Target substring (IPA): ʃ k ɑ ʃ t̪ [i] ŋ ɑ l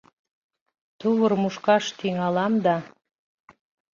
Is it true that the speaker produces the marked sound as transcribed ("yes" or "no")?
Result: yes